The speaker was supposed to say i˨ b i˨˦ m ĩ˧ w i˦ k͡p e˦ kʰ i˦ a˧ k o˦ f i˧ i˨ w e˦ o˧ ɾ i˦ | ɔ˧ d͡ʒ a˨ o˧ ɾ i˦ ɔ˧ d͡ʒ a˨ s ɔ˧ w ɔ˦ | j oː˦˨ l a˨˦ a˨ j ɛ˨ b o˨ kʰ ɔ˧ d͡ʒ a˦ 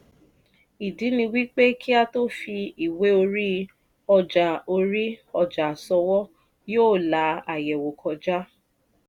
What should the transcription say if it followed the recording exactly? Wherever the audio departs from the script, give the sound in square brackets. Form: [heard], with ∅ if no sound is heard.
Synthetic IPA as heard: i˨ [d] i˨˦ [n] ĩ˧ w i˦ k͡p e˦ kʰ i˦ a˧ [t] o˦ f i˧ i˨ w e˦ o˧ ɾ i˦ | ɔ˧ d͡ʒ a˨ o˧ ɾ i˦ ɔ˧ d͡ʒ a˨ s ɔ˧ w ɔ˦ | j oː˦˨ l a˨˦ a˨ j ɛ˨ [w] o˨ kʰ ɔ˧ d͡ʒ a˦